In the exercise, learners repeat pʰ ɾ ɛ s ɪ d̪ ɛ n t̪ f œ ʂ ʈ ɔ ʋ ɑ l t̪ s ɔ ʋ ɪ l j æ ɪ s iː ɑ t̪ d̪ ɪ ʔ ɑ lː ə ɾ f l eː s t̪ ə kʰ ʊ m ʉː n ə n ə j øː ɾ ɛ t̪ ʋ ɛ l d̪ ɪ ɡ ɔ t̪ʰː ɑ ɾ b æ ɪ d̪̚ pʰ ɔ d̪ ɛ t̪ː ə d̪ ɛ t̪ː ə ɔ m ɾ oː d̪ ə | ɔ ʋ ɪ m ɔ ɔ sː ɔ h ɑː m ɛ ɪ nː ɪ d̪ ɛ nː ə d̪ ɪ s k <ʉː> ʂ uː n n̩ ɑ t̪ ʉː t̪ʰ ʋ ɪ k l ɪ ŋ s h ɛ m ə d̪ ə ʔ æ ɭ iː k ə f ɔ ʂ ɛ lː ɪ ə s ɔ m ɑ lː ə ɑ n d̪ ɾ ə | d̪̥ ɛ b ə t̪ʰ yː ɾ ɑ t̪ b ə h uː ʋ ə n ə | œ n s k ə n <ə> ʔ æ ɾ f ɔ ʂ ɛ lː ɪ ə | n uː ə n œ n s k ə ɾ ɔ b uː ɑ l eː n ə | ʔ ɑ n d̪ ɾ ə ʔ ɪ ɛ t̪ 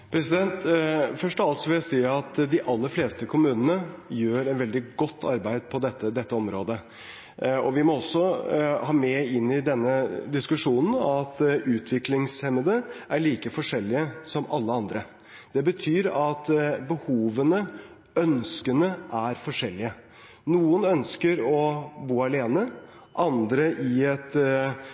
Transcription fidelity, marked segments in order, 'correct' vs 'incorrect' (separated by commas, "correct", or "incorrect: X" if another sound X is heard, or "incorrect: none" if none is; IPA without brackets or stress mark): incorrect: ʉ, correct